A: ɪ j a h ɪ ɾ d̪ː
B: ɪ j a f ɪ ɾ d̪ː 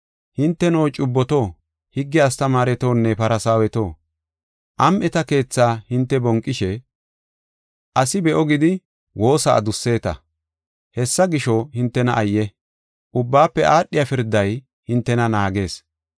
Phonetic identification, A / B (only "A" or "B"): B